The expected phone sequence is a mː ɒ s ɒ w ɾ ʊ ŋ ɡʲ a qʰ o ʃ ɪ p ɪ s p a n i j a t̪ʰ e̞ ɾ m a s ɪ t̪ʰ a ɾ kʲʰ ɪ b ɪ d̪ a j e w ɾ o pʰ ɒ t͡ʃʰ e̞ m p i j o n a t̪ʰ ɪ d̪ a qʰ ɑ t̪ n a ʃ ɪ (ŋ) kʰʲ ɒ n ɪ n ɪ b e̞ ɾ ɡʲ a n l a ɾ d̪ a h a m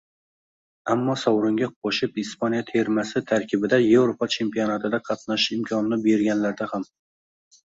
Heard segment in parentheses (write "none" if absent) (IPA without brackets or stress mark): m